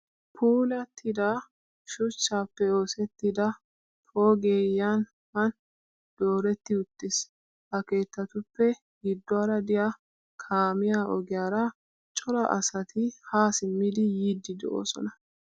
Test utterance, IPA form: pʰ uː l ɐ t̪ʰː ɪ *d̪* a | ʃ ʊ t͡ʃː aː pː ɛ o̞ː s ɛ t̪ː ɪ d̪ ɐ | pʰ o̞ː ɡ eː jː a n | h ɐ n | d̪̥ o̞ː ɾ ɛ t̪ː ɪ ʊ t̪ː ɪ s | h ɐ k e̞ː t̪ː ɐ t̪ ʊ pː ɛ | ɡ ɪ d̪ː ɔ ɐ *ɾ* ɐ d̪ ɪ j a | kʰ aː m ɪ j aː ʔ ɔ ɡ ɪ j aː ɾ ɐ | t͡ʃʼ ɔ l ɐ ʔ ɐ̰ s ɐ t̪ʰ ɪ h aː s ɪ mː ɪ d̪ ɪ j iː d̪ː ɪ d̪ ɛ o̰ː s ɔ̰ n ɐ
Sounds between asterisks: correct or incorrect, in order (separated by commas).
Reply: correct, correct